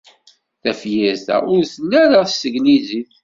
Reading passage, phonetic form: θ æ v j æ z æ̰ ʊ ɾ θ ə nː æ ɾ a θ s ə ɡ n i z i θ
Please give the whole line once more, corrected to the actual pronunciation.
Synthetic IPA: θ æ f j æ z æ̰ ʊ ɾ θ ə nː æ ɾ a θ s ə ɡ n i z i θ